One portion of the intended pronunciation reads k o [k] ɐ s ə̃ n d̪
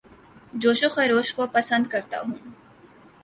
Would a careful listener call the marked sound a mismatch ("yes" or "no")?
yes